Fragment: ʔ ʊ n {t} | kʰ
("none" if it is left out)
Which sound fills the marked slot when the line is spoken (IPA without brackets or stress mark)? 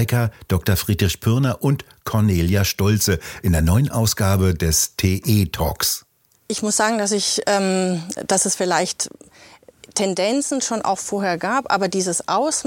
t